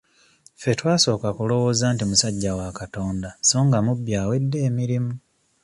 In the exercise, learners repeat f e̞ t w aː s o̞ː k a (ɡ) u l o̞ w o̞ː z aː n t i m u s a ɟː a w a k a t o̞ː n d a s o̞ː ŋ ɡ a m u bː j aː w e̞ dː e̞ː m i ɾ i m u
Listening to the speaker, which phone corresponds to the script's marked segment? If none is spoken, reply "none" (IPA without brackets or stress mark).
k